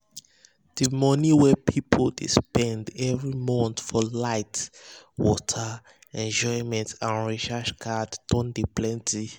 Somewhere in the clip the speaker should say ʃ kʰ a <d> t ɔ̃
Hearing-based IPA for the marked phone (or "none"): d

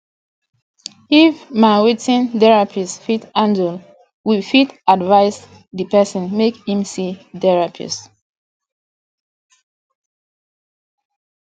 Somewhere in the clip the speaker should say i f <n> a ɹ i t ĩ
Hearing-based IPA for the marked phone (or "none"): m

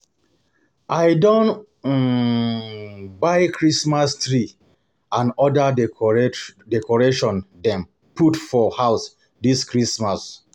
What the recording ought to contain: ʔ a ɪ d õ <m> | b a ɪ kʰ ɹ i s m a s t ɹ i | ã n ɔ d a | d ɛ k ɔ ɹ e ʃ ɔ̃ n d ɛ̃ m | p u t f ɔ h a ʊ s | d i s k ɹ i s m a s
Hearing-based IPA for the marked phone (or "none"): n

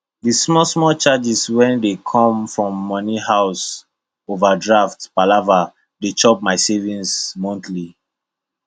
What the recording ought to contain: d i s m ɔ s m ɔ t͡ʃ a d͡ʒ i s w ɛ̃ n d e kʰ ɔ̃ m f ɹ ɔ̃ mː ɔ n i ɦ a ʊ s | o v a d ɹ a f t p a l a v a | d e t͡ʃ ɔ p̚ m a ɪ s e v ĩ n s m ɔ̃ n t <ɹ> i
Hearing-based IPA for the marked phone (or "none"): l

